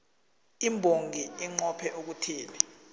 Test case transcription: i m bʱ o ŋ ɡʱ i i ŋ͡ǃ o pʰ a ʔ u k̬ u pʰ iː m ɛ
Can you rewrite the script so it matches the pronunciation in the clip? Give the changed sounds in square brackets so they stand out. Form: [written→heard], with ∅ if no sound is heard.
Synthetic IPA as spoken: i m bʱ o ŋ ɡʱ i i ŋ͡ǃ [o→ɔ] pʰ [a→ɛ] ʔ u k̬ u [pʰ→tʰ] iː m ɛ